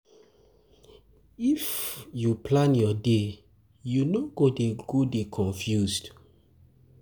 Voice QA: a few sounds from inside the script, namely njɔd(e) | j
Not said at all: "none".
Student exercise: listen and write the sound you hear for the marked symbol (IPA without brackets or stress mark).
e